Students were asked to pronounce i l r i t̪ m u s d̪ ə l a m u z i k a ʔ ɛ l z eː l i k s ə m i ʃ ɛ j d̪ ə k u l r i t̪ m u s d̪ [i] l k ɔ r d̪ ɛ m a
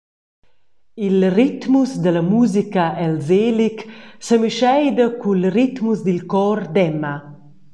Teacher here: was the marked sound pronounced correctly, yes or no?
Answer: yes